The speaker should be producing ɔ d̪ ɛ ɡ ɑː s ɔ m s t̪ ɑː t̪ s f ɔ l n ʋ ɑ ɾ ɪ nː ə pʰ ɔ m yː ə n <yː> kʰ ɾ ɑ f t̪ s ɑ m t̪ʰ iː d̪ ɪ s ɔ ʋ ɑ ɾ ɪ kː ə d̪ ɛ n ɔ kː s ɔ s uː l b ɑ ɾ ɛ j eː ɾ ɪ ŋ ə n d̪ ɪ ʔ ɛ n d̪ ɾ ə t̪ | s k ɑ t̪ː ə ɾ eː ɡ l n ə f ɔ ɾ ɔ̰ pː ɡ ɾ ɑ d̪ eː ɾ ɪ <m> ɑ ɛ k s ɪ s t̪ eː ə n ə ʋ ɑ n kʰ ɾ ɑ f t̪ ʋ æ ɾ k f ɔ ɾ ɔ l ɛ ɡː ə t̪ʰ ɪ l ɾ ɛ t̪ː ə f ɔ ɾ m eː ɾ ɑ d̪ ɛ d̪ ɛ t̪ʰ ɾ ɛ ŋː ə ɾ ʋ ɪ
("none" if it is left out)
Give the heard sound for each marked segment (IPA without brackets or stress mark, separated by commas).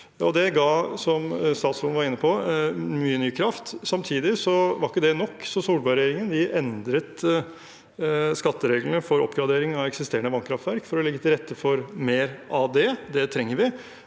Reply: yː, ŋ